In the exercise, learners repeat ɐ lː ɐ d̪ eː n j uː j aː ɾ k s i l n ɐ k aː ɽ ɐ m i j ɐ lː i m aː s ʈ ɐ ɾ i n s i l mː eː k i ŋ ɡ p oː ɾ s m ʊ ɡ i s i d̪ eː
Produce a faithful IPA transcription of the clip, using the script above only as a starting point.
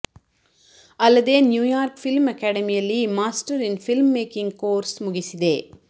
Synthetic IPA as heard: ɐ lː ɐ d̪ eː n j uː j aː ɾ k f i l m ɐ k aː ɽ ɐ m i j ɐ lː i m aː s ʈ ɐ ɾ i n f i l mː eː k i ŋ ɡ k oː ɾ s m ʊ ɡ i s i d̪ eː